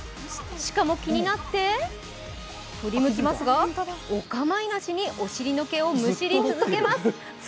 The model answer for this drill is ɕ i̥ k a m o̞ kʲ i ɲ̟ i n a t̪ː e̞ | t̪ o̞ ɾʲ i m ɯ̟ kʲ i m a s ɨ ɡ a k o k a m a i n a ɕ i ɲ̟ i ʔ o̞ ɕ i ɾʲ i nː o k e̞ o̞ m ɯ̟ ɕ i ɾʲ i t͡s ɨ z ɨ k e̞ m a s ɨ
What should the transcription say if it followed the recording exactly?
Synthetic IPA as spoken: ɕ i̥ k a m o̞ kʲ i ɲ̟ i n a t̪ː e̞ | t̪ o̞ ɾʲ i m ɯ̟ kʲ i m a s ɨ ɡ a o k a m a i n a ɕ i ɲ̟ i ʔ o̞ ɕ i ɾʲ i n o k e̞ o̞ m ɯ̟ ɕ i ɾʲ i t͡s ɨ z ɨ k e̞ m a s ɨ